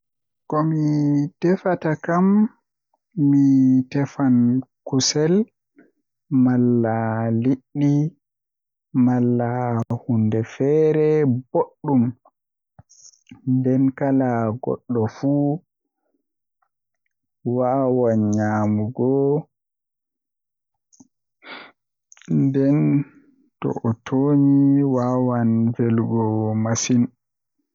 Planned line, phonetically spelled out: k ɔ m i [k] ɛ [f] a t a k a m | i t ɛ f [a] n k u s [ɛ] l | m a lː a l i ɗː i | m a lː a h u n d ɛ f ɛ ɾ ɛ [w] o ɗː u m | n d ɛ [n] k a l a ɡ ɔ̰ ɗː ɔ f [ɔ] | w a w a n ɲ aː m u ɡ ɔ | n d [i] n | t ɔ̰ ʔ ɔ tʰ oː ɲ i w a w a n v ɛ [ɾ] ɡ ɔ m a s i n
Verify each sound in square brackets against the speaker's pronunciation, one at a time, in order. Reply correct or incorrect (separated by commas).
incorrect, correct, correct, correct, incorrect, correct, incorrect, incorrect, incorrect